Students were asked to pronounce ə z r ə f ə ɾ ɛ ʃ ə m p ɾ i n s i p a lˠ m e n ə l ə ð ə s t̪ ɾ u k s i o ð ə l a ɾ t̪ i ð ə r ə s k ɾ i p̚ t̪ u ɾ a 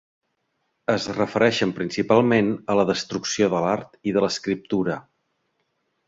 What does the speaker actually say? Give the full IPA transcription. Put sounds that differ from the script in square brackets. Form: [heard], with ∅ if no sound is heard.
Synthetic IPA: ə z r ə f ə ɾ ɛ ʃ ə m p ɾ i n s i p a lˠ m e n ə l ə ð ə s t̪ ɾ u k s i o ð ə l a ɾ t̪ i ð ə [l] ə s k ɾ i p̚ t̪ u ɾ [ə]